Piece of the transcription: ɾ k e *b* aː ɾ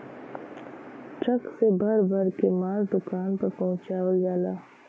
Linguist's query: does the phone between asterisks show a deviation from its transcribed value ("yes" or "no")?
yes